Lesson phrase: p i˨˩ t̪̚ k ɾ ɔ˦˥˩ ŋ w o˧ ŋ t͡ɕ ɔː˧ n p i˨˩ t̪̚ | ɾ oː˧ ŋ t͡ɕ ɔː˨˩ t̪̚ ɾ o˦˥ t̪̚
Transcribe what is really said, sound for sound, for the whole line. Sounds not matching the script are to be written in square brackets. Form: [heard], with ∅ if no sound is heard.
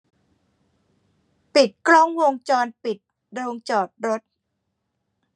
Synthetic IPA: p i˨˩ t̪̚ k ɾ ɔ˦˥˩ ŋ w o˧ ŋ t͡ɕ ɔː˧ n p i˨˩ t̪̚ | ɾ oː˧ ŋ t͡ɕ ɔː˨˩ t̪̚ ɾ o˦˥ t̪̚